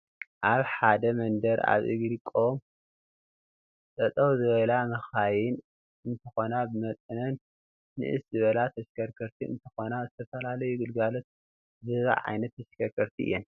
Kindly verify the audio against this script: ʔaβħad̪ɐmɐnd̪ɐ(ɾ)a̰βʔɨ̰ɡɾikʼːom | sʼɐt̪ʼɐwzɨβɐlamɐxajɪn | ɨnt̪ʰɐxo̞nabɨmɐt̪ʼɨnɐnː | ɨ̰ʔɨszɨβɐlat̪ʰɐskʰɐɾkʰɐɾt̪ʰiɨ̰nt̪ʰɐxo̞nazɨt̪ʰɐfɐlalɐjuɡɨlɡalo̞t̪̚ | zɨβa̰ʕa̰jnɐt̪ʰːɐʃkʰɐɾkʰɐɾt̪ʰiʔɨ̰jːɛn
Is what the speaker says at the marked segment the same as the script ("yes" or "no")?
yes